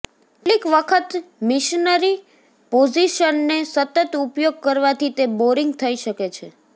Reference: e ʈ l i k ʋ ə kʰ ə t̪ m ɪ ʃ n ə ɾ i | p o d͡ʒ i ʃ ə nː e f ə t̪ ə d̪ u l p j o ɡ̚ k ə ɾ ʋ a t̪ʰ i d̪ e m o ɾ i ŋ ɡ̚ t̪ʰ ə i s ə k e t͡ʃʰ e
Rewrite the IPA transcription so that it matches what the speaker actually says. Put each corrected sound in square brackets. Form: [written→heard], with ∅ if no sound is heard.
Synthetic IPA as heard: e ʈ l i k ʋ ə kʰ ə t̪ m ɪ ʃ n ə ɾ i | p o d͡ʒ i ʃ ə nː e [f→s] ə t̪ ə [d̪→t̪] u [l→∅] p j o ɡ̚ k ə ɾ ʋ a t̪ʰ i [d̪→t̪] e [m→b] o ɾ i ŋ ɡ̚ t̪ʰ ə i [s→ʃ] ə k e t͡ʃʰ e